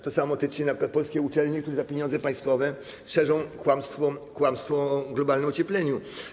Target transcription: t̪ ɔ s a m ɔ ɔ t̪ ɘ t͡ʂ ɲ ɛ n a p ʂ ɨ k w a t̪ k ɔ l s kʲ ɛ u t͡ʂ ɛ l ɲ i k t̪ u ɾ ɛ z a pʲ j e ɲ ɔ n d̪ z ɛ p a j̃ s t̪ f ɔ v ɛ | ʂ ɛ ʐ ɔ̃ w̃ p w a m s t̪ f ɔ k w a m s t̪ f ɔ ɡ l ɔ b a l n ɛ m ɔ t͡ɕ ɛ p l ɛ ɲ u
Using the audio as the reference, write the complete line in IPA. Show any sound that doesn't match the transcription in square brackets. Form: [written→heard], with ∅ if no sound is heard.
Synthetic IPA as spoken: t̪ ɔ s a m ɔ ɔ t̪ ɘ t͡ʂ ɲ ɛ n a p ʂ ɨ k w a t̪ [k→p] ɔ l s kʲ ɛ u t͡ʂ ɛ l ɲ i k t̪ u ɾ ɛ z a pʲ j e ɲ ɔ n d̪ z ɛ p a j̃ s t̪ f ɔ v ɛ | ʂ ɛ ʐ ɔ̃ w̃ [p→k] w a m s t̪ f ɔ k w a m s t̪ f ɔ ɡ l ɔ b a l n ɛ m ɔ t͡ɕ ɛ p l ɛ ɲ u